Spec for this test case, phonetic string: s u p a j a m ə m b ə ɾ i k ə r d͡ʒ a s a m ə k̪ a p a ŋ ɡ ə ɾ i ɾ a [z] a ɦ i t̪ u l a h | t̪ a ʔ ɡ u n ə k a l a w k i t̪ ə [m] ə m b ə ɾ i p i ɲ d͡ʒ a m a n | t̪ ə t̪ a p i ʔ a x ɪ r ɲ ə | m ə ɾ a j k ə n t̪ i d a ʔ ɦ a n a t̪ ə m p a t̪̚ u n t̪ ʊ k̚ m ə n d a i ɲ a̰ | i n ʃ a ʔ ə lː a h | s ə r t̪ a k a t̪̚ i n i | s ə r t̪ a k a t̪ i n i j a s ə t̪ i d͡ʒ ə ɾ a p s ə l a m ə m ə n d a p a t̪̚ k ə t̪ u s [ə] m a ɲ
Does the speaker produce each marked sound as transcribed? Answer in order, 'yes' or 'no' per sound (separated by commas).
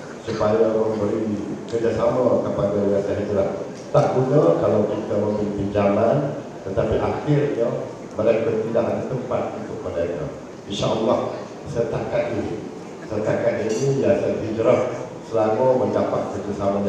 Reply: no, yes, no